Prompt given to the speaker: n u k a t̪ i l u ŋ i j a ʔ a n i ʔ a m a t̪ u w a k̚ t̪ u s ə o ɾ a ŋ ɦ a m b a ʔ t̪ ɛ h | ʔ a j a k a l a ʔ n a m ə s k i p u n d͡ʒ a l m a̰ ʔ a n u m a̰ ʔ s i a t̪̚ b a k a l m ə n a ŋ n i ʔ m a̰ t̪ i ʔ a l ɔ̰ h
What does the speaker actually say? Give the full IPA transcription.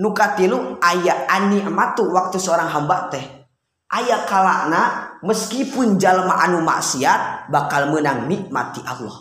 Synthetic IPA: n u k a t̪ i l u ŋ a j a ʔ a n i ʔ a m a t̪ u w a k̚ t̪ u s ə o ɾ a ŋ ɦ a m b a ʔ t̪ ɛ h | ʔ a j a k a l a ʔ n a m ə s k i p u n d͡ʒ a l m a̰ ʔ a n u m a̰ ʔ s i a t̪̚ b a k a l m ə n a ŋ n i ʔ m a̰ t̪ i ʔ a l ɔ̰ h